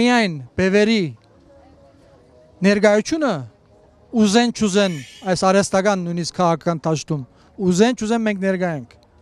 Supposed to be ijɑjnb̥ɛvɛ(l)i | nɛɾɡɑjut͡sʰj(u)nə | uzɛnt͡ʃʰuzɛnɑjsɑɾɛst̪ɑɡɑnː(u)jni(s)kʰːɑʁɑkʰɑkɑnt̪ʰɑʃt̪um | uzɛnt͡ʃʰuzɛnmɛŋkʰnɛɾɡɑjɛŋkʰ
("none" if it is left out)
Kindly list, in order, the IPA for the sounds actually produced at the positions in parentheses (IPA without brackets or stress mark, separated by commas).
ɾ, u, u, s